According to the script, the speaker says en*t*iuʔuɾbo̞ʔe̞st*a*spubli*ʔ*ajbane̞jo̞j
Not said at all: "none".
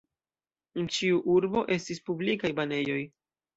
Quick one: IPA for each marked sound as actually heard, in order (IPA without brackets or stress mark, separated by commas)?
t͡ʃ, i, k